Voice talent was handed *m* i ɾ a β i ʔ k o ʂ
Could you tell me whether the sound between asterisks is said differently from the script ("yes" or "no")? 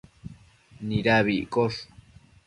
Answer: yes